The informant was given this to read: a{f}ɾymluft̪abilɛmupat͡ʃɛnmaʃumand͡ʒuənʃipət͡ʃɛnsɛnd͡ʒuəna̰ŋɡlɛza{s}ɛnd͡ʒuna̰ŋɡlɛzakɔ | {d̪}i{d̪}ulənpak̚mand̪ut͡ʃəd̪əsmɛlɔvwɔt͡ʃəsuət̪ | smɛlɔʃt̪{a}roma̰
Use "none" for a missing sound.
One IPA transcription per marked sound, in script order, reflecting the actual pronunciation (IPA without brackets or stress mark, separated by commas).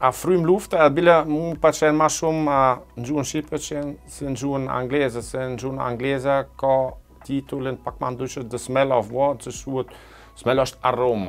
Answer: f, s, t̪, t̪, a